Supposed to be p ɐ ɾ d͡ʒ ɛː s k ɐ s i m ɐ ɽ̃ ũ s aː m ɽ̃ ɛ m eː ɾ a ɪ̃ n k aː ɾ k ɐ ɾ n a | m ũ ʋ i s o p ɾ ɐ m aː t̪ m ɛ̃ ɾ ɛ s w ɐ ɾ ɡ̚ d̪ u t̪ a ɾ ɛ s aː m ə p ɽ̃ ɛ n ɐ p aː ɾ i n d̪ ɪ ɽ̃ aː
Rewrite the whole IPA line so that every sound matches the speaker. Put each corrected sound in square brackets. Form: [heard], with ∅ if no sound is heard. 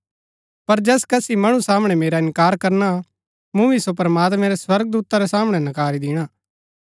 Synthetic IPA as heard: p ɐ ɾ d͡ʒ ɛː s k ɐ s i m ɐ ɽ̃ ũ s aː m ɽ̃ ɛ m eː ɾ a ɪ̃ n k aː ɾ k ɐ ɾ n a | m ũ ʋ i s o p ɾ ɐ m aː t̪ m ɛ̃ ɾ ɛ s w ɐ ɾ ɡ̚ d̪ [uː] t̪ a ɾ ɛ s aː m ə [∅] ɽ̃ ɛ n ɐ [k] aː ɾ i [∅] d̪ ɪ ɽ̃ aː